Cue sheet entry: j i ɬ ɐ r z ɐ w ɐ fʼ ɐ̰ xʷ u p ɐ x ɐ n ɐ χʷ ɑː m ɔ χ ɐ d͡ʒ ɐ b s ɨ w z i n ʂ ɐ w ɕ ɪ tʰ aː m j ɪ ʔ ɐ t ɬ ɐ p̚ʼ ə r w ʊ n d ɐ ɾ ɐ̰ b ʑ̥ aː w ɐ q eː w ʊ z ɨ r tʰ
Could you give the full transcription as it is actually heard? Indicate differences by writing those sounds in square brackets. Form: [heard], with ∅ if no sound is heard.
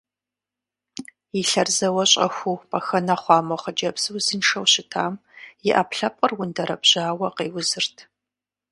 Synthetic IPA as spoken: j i ɬ ɐ r z ɐ w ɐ [ɕʼ] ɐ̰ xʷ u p ɐ x ɐ n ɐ χʷ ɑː m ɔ χ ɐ d͡ʒ ɐ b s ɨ w z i n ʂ ɐ w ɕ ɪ tʰ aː m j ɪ ʔ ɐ [p] ɬ ɐ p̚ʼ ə r w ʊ n d ɐ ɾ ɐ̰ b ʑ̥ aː w ɐ q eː w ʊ z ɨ r tʰ